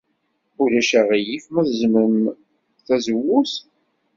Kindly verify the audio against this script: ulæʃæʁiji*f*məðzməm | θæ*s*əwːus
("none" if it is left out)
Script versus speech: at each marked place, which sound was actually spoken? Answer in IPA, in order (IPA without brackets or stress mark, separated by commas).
f, z